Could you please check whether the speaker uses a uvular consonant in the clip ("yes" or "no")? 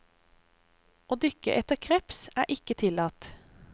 yes